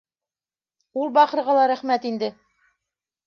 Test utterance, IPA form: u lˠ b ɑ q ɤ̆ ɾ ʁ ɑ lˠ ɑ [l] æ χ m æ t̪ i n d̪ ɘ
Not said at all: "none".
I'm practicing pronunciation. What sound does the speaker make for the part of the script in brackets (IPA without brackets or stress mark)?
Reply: ɾ